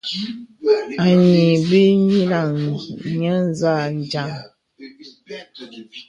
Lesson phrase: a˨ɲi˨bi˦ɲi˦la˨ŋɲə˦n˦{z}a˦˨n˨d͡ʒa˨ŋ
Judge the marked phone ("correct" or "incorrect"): correct